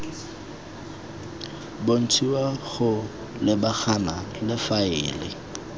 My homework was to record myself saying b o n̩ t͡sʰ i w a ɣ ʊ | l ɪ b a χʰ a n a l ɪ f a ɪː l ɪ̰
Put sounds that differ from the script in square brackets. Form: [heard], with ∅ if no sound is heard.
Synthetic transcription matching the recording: b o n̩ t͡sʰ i w a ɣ ʊ | l ɪ b a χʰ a n a l ɪ f a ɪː l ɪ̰